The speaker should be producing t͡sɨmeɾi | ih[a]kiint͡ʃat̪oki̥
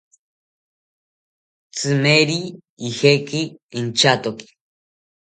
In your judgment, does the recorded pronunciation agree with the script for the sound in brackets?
no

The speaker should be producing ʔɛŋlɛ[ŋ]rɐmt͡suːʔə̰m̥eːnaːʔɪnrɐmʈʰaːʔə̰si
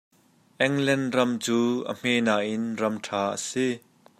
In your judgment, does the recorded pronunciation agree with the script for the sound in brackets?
no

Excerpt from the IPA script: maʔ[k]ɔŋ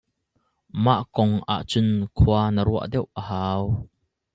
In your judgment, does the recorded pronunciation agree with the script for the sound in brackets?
yes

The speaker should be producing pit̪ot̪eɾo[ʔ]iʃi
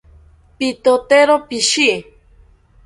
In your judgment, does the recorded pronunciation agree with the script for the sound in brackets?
no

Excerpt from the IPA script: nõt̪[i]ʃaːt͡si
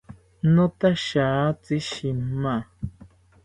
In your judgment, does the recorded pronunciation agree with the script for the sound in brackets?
no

